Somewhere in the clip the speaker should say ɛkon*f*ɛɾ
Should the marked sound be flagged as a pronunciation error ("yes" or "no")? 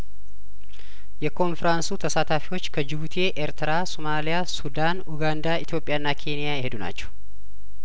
no